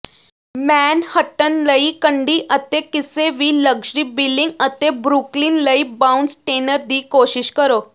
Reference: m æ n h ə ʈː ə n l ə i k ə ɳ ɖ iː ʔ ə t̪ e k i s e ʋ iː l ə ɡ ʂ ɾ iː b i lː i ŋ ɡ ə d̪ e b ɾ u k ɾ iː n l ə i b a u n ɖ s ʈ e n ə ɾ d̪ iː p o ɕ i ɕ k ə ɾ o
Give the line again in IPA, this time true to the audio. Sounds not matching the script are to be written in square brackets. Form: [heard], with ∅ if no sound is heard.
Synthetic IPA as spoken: m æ n h ə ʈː ə n l ə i k ə ɳ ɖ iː ʔ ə t̪ e k i s e ʋ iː l ə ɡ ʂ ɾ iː b i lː i ŋ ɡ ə [t̪] e b ɾ u k [l] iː n l ə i b a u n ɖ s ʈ e n ə ɾ d̪ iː [k] o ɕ i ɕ k ə ɾ o